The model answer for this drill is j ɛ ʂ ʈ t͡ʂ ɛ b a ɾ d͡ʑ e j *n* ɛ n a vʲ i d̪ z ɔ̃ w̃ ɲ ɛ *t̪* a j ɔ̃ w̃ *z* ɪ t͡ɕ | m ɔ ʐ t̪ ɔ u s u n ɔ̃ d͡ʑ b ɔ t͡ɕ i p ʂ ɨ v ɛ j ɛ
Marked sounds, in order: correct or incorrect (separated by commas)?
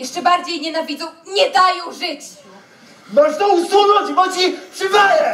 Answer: incorrect, incorrect, incorrect